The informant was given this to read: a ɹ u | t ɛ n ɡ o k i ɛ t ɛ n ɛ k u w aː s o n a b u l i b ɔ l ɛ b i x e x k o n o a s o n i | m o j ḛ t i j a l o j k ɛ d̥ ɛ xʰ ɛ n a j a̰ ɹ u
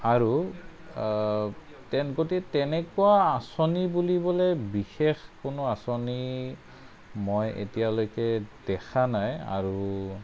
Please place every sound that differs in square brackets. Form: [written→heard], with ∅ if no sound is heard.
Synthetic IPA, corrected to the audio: a ɹ u | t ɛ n ɡ o [k→t] i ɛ t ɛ n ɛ k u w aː s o n [a→i] b u l i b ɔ l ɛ b i x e x k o n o a s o n i | m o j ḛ t i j a l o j k ɛ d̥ ɛ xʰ [ɛ→a] n a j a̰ ɹ u

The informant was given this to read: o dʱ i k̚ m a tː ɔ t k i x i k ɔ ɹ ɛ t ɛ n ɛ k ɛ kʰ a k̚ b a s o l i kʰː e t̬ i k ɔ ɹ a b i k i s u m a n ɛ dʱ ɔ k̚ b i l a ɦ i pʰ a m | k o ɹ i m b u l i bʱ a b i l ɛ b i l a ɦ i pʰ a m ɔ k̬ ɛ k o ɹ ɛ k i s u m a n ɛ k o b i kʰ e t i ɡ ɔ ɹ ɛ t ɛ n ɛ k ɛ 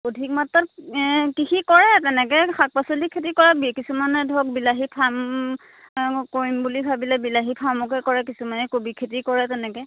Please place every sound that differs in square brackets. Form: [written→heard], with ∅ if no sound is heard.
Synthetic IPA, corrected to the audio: o dʱ i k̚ m a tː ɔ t k i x i k ɔ ɹ ɛ t ɛ n ɛ k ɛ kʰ a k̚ [b→p] a s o l i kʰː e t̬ i k ɔ ɹ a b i k i s u m a n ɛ dʱ ɔ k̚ b i l a ɦ i pʰ a m | k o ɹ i m b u l i bʱ a b i l ɛ b i l a ɦ i pʰ a m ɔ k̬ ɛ k [o→ɔ] ɹ ɛ k i s u m a n ɛ k o b i kʰ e t i [ɡ→k] ɔ ɹ ɛ t ɛ n ɛ k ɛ

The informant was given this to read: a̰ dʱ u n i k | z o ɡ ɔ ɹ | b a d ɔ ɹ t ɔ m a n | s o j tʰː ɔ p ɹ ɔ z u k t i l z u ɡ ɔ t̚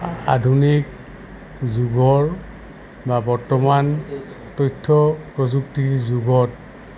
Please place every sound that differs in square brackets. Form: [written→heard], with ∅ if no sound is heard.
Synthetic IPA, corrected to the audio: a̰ dʱ u n i k | z [o→u] ɡ ɔ ɹ | b a [d→b] ɔ ɹ t ɔ m a n | [s→t] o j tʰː ɔ p ɹ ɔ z u k t i [l→ɹ] z u ɡ ɔ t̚

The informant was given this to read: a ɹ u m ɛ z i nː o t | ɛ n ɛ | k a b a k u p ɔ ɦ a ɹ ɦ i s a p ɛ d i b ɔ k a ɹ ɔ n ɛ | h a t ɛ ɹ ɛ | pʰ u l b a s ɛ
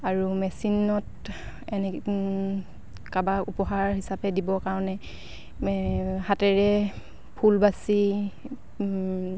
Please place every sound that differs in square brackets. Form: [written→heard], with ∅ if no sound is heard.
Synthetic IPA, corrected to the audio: a ɹ u m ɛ [z→s] i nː [o→ɔ] t | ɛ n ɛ | k a b a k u p ɔ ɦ a ɹ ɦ i s a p ɛ d i b ɔ k a ɹ ɔ n ɛ | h a t ɛ ɹ ɛ | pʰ u l b a s [ɛ→i]

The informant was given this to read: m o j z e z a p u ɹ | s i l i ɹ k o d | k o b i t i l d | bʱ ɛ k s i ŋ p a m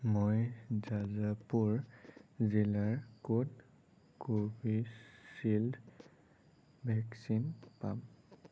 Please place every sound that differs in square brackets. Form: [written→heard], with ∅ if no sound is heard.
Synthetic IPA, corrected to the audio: m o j z [e→a] z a p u ɹ | [s→z] i l [i→a] ɹ k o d | k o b i [t→s] i l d | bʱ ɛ k s i [ŋ→n] p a m

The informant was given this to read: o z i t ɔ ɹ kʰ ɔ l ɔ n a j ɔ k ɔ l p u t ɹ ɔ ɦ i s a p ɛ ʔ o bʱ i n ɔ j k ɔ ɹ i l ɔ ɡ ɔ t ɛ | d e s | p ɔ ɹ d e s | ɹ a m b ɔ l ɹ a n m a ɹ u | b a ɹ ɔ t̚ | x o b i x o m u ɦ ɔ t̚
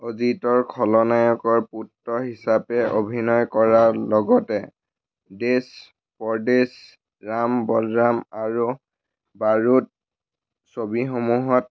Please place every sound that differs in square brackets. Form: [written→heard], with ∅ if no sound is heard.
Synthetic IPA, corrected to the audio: o z i t ɔ ɹ kʰ ɔ l ɔ n a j ɔ k ɔ [l→ɹ] p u t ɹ ɔ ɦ i s a p ɛ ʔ o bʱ i n ɔ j k ɔ ɹ [i→a] l ɔ ɡ ɔ t ɛ | d e s | p ɔ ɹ d e s | ɹ a m b ɔ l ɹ a [n→∅] m a ɹ u | b a ɹ [ɔ→u] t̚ | [x→s] o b i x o m u ɦ ɔ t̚

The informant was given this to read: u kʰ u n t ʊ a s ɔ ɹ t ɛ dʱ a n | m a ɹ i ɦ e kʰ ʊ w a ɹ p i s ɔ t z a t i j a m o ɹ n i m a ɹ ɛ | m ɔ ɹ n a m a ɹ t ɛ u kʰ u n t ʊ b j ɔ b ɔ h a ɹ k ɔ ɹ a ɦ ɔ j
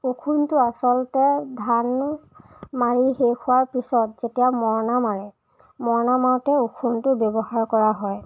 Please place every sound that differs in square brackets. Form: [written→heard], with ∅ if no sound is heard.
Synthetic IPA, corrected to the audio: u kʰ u n t ʊ a s ɔ [ɹ→l] t ɛ dʱ a n | m a ɹ i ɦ e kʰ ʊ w a ɹ p i s ɔ t z [a→e] t i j a m [o→ɔ] ɹ n [i→a] m a ɹ ɛ | m ɔ ɹ n a m a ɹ t ɛ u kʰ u n t ʊ b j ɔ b ɔ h a ɹ k ɔ ɹ a ɦ ɔ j

